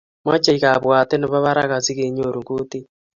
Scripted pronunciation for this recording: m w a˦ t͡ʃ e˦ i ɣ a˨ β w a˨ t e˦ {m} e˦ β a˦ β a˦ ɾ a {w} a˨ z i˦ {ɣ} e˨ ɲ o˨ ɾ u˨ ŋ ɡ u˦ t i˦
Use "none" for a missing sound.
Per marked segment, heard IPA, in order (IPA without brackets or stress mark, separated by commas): n, ɣ, ɣ